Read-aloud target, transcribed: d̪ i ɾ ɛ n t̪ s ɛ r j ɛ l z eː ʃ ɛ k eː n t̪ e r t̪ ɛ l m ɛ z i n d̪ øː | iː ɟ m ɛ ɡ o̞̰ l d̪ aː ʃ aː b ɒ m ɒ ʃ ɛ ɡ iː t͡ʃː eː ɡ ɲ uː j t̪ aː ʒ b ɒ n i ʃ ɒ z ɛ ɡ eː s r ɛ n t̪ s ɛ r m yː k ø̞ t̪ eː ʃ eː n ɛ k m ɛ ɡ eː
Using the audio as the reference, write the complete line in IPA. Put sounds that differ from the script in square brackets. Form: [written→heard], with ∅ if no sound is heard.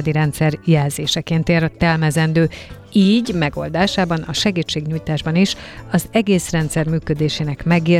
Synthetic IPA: d̪ i ɾ ɛ n t̪ s ɛ r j ɛ l z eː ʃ ɛ k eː n t̪ e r t̪ ɛ l m ɛ z [i→ɛ] n d̪ øː | iː ɟ m ɛ ɡ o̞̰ l d̪ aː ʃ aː b ɒ [m→n] ɒ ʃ ɛ ɡ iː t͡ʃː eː ɡ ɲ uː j t̪ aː ʒ b ɒ n i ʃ ɒ z ɛ ɡ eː s r ɛ n t̪ s ɛ r m yː k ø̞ [t̪→d̪] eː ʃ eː n ɛ k m ɛ ɡ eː